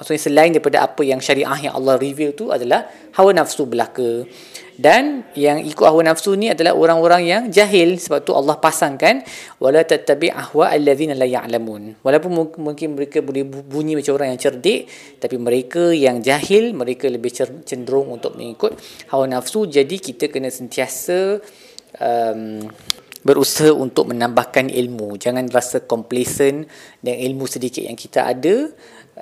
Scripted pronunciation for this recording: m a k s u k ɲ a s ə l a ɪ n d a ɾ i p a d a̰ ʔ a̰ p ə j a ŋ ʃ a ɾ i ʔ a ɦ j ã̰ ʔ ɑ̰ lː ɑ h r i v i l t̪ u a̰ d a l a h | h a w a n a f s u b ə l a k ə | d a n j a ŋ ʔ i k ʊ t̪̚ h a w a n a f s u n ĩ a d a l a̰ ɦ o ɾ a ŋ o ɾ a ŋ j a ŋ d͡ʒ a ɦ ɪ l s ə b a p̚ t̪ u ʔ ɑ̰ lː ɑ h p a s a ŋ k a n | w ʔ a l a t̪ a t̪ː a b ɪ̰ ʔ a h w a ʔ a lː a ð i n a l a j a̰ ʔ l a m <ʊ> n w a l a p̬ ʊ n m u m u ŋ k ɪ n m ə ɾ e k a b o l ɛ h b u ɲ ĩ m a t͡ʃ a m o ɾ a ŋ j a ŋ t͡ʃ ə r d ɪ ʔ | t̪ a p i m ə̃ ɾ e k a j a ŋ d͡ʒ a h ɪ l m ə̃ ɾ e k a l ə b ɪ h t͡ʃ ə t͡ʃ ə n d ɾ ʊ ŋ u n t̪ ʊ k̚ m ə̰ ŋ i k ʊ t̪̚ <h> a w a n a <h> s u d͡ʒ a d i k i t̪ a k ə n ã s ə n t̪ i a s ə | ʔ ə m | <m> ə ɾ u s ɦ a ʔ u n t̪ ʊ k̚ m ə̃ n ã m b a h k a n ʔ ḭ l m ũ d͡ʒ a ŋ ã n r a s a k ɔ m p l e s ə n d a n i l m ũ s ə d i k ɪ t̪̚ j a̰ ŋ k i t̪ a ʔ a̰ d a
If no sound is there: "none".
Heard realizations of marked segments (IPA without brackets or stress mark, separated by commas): u, h, f, b